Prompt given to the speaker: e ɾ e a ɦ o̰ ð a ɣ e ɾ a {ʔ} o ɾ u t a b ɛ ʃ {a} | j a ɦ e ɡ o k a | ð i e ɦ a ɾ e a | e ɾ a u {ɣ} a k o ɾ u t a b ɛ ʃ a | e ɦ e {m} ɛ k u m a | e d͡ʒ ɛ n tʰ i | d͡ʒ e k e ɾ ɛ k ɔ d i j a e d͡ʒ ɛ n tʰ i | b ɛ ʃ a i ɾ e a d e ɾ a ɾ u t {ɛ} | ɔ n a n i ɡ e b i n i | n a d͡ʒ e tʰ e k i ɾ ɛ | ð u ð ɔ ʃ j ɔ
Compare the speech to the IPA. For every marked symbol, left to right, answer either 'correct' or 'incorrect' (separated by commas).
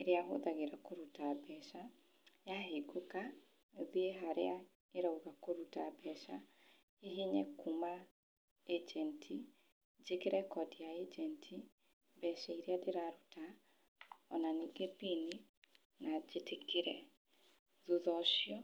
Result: incorrect, correct, correct, incorrect, incorrect